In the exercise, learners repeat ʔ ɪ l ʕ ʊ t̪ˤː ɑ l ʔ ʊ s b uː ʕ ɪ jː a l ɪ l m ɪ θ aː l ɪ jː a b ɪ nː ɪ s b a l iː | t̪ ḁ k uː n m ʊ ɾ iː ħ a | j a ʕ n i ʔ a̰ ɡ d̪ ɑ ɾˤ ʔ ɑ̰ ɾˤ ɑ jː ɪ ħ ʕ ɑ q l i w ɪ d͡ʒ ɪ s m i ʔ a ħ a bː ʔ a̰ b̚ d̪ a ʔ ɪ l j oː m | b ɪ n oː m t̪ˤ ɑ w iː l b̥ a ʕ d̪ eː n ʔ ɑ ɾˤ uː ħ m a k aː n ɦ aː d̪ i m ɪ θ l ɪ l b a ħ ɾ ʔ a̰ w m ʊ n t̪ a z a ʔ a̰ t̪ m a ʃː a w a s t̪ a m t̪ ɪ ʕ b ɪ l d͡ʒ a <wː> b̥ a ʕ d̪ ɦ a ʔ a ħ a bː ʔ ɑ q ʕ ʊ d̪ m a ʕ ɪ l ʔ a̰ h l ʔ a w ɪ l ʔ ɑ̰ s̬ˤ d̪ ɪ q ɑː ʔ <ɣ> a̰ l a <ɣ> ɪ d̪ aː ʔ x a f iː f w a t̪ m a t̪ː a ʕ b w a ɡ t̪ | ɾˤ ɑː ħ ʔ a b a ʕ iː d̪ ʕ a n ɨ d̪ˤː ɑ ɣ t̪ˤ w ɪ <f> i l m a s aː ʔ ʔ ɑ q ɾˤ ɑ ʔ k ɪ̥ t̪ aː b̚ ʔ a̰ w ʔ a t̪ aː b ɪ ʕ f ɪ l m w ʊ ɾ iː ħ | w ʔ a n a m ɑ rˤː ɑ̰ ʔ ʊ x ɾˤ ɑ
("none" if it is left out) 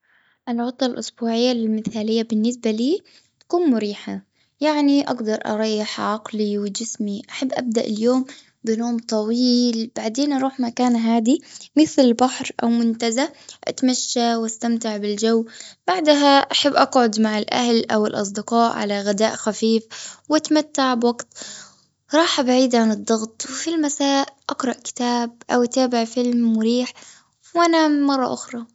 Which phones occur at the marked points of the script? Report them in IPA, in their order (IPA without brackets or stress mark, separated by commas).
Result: wː, ʕ, ɣ, f